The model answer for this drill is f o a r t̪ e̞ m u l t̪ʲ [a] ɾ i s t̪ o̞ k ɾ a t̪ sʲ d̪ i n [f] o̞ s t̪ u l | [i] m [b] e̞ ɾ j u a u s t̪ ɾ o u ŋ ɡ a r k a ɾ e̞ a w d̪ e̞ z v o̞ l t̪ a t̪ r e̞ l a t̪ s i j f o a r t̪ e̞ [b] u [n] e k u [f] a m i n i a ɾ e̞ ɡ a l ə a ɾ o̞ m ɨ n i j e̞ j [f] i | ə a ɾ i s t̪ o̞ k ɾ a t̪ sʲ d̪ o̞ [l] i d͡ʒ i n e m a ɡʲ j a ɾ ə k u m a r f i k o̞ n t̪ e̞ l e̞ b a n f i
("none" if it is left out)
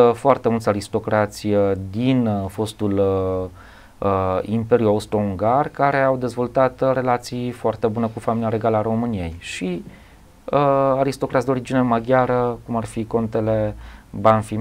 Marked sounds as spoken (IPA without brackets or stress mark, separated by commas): a, f, i, p, b, n, f, ʃ, ɾ